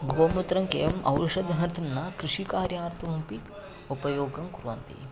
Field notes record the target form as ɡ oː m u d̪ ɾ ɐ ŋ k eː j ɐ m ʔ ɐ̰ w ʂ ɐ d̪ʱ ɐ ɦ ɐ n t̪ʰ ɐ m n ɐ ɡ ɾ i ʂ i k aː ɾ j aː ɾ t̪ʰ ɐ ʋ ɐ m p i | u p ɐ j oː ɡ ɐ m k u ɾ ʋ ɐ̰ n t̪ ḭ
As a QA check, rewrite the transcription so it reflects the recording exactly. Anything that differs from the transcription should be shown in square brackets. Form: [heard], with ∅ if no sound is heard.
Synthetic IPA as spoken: ɡ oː m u [t̪] ɾ ɐ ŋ k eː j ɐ m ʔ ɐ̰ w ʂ ɐ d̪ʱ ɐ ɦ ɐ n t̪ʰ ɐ m n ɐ [k] ɾ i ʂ i k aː ɾ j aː ɾ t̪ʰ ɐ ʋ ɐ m p i | u p ɐ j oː ɡ ɐ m k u ɾ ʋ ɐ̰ n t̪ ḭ

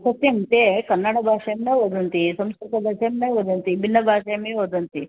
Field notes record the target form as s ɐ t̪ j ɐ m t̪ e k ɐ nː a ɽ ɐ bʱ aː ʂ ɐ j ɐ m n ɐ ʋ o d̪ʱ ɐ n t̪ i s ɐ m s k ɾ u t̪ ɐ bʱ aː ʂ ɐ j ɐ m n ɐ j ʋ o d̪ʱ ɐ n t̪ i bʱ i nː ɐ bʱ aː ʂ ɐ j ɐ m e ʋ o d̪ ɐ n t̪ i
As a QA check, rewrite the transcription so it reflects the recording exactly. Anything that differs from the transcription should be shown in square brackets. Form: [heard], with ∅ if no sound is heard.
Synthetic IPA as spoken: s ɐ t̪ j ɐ m t̪ e k ɐ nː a ɽ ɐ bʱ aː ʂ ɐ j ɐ m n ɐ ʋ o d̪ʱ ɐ n t̪ i s ɐ m s k ɾ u t̪ ɐ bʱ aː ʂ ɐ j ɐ m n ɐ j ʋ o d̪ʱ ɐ n t̪ i bʱ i nː ɐ bʱ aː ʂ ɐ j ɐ m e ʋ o d̪ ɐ n t̪ i

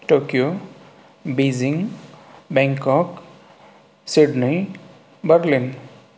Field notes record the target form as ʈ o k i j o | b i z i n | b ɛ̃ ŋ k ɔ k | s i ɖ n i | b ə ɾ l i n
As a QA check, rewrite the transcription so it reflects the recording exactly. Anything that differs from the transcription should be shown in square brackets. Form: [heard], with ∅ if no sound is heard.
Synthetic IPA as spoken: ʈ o k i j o | b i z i [ŋ] | b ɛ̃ ŋ k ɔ k | s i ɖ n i | b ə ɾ l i n

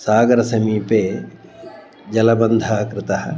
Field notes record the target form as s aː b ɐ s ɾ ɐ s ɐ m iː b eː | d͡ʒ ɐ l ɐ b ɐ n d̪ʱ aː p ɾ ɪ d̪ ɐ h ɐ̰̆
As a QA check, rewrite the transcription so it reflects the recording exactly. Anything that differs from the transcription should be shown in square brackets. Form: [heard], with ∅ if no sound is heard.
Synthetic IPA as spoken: s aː [ɡ] ɐ [∅] ɾ ɐ s ɐ m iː [p] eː | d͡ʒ ɐ l ɐ b ɐ n d̪ʱ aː [k] ɾ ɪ [t̪] ɐ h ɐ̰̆

